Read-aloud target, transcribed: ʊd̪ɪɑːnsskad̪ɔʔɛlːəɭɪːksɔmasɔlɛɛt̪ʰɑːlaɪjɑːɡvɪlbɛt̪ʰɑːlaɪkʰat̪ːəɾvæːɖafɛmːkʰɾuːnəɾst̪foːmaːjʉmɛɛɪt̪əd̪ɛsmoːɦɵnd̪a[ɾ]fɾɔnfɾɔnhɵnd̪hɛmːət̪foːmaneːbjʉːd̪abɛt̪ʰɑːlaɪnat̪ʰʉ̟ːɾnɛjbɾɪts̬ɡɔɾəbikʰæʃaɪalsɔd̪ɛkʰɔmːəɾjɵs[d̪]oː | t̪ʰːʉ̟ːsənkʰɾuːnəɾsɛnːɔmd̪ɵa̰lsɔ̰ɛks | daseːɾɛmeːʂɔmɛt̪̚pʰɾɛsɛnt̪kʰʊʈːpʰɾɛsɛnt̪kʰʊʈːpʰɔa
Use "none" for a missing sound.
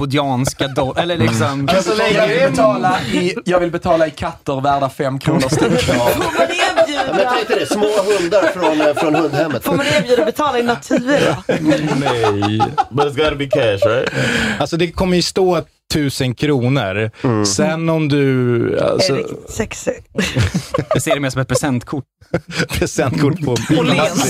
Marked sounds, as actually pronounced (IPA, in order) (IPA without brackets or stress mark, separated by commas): ɾ, t̪